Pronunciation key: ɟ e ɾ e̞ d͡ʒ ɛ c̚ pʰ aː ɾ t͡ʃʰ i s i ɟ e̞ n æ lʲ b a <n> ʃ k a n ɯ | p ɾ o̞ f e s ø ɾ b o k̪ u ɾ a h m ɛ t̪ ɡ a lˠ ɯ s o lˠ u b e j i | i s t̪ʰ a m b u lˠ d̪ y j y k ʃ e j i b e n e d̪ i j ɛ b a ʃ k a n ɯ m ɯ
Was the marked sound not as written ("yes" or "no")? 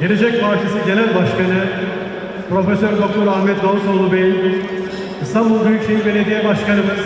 yes